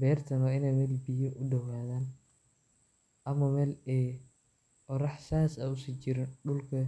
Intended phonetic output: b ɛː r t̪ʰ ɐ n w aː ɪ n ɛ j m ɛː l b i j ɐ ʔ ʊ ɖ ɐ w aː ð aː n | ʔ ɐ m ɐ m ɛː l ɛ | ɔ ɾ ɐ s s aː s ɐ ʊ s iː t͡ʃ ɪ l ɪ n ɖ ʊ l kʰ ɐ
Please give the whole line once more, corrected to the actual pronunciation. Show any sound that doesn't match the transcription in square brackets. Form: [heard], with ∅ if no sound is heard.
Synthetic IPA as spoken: b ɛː r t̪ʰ ɐ n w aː ɪ n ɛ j m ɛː l b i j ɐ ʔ ʊ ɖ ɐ w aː ð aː n | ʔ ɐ m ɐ m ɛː l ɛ | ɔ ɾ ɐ [ħ] s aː s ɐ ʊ s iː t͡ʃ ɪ [ɾ] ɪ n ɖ ʊ l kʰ ɐ